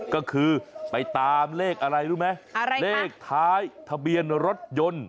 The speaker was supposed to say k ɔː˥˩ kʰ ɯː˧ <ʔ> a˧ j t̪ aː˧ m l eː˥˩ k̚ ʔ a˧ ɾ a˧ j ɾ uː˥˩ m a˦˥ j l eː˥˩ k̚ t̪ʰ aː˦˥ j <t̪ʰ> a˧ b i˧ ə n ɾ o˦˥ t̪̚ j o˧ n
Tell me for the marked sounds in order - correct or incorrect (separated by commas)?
incorrect, correct